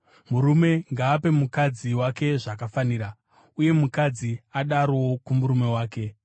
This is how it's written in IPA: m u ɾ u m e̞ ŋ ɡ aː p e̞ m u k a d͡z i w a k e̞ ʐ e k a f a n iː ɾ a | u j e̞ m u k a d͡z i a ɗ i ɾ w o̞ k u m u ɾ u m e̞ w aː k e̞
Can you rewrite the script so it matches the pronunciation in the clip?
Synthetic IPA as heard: m u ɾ u m e̞ ŋ ɡ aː p e̞ m u k a d͡z i w a k e̞ ʐ a k a f a n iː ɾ a | u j e̞ m u k a d͡z i a ɗ a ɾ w o̞ k u m u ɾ u m e̞ w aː k e̞